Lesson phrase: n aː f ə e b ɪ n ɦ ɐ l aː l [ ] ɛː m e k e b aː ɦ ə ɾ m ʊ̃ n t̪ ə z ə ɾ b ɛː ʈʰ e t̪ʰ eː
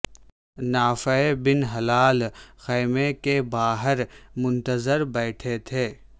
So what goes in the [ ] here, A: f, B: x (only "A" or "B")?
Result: B